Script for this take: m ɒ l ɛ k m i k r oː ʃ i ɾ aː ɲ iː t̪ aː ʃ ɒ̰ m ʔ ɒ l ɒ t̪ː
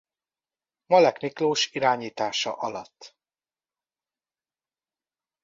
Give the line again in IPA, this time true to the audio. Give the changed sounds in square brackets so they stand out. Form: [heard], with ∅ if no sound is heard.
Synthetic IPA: m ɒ l ɛ k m i k [l] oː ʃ i ɾ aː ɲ iː t̪ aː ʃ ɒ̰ [∅] ʔ ɒ l ɒ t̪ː